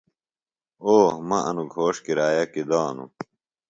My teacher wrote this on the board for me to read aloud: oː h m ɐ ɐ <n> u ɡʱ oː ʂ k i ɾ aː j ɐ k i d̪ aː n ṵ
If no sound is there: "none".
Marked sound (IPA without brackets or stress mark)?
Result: n